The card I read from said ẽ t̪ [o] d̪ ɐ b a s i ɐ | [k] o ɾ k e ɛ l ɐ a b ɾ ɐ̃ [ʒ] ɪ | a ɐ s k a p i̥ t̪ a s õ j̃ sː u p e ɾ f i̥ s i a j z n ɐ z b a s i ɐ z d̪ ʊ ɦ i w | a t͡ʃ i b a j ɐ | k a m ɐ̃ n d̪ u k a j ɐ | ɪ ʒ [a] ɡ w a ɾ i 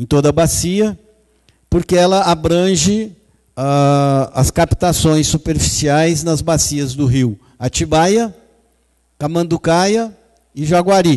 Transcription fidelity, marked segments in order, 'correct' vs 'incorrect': correct, incorrect: p, correct, correct

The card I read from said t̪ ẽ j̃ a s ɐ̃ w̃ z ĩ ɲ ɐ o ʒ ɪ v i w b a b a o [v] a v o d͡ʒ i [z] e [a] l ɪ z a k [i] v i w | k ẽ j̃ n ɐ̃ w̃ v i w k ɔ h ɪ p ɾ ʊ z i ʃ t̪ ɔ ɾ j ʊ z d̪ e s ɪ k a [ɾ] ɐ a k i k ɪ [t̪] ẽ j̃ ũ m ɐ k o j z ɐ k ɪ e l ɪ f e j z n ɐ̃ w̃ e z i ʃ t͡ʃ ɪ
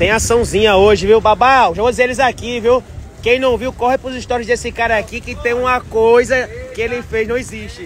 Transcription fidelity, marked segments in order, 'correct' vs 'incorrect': incorrect: ʒ, correct, incorrect: e, correct, correct, correct

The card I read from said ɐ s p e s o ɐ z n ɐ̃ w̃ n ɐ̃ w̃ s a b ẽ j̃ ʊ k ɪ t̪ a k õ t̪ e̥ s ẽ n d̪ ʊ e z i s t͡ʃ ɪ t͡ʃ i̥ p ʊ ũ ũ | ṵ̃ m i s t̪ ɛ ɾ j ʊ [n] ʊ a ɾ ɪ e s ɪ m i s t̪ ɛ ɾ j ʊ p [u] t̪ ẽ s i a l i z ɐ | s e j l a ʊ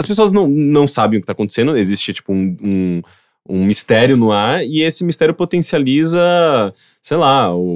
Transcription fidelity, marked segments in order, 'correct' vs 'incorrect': correct, incorrect: o

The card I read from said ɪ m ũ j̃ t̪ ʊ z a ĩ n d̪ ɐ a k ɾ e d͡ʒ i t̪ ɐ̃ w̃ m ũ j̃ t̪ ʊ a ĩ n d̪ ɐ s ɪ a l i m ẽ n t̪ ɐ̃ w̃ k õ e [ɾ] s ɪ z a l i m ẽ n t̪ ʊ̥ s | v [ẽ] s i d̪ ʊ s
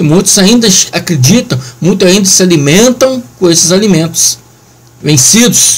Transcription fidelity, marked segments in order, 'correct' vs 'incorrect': incorrect: none, correct

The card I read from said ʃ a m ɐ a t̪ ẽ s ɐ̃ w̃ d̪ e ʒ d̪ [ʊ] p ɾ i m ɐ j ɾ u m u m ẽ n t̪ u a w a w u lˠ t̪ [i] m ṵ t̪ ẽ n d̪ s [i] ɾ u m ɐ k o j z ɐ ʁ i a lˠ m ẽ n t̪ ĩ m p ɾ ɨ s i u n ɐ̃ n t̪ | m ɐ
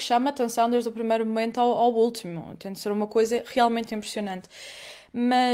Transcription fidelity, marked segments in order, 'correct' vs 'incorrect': incorrect: u, correct, incorrect: e

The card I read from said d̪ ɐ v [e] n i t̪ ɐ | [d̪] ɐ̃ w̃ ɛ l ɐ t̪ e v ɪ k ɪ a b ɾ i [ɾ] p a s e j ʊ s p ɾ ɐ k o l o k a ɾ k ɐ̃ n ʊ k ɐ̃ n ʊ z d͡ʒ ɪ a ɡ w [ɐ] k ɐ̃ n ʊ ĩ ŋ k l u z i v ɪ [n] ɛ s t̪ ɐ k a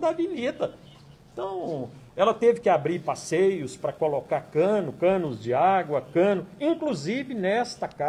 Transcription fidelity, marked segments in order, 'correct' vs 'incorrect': incorrect: i, incorrect: t̪, correct, correct, correct

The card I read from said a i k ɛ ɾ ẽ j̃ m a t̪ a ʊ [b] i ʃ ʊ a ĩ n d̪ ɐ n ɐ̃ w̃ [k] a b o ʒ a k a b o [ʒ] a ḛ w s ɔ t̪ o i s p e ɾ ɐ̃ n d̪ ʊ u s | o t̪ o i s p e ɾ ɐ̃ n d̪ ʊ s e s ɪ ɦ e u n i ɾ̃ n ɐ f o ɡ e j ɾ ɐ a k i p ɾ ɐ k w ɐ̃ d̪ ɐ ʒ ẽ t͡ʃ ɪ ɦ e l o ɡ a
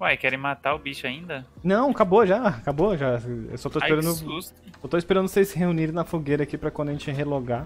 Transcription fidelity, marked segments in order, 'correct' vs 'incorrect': correct, correct, correct

